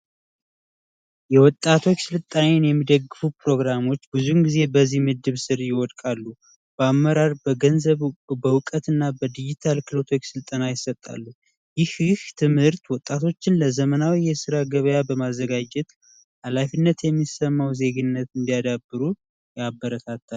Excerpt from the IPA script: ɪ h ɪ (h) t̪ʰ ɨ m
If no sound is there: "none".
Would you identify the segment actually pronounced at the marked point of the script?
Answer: h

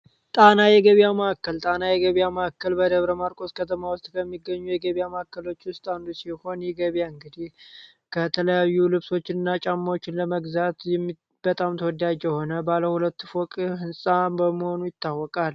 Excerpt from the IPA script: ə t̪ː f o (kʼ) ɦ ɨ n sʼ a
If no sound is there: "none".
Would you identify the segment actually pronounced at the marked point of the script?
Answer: kʼ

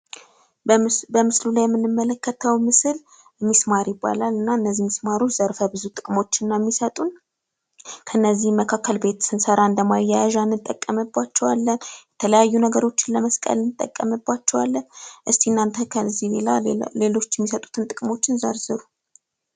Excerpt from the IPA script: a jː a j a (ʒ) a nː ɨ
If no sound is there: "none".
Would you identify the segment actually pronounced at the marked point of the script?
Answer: ʒ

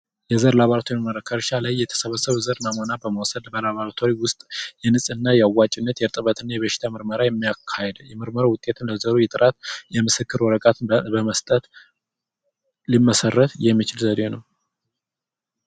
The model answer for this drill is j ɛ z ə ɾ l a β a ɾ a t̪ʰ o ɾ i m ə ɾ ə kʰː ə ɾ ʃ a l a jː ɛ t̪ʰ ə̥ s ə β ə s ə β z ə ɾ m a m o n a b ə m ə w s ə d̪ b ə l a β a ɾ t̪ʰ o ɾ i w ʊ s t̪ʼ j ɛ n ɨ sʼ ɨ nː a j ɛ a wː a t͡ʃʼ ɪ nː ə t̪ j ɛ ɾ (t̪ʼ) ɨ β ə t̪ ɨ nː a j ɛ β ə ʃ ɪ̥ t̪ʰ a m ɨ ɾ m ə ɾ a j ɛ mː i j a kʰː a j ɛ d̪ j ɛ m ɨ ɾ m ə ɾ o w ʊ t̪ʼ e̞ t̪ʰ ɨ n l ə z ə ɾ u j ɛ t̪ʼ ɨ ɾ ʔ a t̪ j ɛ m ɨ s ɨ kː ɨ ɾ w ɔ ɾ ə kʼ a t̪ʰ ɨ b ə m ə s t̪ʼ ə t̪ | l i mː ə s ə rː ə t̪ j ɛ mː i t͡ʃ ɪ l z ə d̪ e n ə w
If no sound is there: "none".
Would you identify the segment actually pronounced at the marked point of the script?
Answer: t̪ʼ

